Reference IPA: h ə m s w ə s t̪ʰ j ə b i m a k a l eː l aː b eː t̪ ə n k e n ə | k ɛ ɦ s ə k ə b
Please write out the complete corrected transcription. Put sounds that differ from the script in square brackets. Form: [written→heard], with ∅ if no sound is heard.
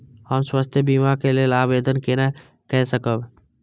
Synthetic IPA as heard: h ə m s w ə s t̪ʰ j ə b i m a k [a→e] l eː l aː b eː [t̪→d̪] ə n k e n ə | k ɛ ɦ s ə k ə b